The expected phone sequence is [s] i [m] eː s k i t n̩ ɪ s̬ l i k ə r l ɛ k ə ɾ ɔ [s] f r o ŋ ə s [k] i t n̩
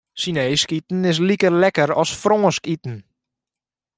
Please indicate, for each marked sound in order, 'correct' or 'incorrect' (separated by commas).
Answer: correct, incorrect, correct, correct